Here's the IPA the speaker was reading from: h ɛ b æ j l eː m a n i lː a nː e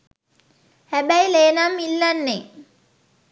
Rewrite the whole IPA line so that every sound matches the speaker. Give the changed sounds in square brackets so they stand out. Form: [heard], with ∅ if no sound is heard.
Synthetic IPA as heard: h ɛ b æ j l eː [n] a [m] i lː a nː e